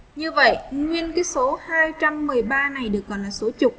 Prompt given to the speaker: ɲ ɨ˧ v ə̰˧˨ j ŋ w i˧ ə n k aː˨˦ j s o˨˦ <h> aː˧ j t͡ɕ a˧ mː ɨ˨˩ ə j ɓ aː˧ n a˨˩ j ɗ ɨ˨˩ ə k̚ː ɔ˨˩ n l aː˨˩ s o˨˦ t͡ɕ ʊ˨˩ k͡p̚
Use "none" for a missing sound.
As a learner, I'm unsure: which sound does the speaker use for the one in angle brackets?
h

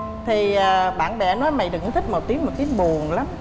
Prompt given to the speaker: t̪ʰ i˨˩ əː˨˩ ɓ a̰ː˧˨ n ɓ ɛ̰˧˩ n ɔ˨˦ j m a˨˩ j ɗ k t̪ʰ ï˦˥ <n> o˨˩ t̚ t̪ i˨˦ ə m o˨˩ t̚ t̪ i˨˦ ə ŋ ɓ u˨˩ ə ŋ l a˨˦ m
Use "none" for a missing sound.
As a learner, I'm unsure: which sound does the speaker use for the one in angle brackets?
m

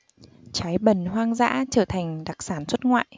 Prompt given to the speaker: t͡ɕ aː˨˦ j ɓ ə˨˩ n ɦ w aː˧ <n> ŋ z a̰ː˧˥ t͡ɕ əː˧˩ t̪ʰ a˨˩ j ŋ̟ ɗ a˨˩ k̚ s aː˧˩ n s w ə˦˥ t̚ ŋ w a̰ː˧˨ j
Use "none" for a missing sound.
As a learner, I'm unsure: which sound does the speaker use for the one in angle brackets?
none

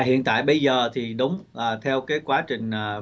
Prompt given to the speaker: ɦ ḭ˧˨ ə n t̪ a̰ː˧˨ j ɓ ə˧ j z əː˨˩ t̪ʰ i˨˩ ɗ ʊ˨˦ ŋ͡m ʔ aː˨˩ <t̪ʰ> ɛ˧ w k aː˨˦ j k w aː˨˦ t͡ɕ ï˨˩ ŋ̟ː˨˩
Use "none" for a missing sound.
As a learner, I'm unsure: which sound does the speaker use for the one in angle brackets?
t̪ʰ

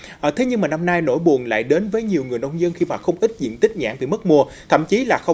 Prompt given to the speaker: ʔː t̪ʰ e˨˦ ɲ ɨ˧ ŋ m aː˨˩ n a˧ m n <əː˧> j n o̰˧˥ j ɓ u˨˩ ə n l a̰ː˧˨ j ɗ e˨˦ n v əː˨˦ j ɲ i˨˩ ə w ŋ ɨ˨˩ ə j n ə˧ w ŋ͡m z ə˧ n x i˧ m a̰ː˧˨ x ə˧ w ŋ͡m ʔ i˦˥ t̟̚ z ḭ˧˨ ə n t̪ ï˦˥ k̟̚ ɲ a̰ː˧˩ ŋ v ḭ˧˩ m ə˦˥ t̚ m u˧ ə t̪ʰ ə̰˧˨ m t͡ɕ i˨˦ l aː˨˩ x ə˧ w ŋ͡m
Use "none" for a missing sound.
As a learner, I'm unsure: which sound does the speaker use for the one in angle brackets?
aː˧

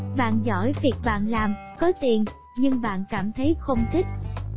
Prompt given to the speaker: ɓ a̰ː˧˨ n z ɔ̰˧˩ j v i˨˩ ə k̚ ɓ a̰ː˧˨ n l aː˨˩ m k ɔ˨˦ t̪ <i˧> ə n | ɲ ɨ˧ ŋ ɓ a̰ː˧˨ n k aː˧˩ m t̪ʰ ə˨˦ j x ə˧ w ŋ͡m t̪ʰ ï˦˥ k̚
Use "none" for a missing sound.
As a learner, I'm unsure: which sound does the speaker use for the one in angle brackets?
i˨˩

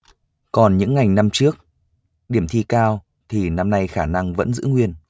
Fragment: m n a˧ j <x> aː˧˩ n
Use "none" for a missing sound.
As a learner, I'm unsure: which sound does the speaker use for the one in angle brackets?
x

